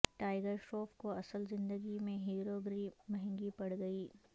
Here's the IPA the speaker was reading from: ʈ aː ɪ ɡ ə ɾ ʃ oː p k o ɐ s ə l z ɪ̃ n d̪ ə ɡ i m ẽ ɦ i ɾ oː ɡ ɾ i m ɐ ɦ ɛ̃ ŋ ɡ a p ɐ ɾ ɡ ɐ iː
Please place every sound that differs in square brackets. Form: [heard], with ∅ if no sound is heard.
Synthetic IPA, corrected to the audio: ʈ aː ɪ ɡ ə ɾ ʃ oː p k o ɐ s ə l z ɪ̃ n d̪ ə ɡ i m ẽ ɦ [iː] ɾ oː ɡ ɾ i m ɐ ɦ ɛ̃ ŋ ɡ [i] p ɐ [ɽ] ɡ ɐ iː